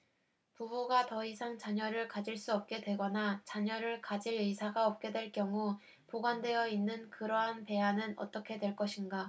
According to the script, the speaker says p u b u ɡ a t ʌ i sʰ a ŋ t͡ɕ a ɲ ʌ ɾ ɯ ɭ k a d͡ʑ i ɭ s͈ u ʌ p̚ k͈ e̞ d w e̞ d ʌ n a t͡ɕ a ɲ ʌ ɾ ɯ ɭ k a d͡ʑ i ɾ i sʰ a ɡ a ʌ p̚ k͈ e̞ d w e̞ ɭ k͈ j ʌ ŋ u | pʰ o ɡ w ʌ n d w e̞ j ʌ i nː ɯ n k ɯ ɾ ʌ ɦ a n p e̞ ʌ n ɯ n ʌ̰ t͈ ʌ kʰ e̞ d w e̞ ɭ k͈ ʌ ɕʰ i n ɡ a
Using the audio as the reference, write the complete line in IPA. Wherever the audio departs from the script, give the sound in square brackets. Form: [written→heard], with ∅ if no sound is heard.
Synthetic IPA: p u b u ɡ a t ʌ i sʰ a ŋ t͡ɕ a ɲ ʌ ɾ ɯ ɭ k a d͡ʑ i ɭ s͈ u ʌ p̚ k͈ e̞ d w e̞ [d→ɡ] ʌ n a t͡ɕ a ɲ ʌ ɾ ɯ ɭ k a d͡ʑ i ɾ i sʰ a ɡ a ʌ p̚ k͈ e̞ d w e̞ ɭ k͈ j ʌ ŋ u | [pʰ→p] o ɡ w [ʌ→a] n d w e̞ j ʌ i nː ɯ n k ɯ ɾ ʌ ɦ a n p e̞ [ʌ→a] n ɯ n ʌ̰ t͈ ʌ kʰ e̞ d w e̞ ɭ k͈ ʌ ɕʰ i n ɡ a